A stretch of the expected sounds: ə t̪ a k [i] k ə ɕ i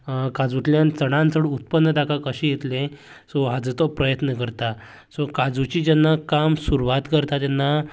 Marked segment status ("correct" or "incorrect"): incorrect